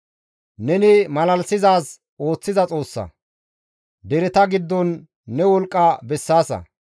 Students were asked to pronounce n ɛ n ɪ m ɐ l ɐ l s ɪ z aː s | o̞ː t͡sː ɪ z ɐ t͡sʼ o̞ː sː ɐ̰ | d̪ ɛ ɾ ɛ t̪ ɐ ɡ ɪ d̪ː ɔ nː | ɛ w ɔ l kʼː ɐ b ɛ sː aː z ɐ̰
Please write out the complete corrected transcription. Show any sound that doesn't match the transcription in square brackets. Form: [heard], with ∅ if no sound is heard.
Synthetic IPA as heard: n ɛ n ɪ m ɐ l ɐ l s ɪ z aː s | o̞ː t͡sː ɪ z ɐ t͡sʼ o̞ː sː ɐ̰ | d̪ ɛ ɾ ɛ t̪ ɐ ɡ ɪ d̪ː ɔ nː | ɛ w ɔ l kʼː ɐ b ɛ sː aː [s] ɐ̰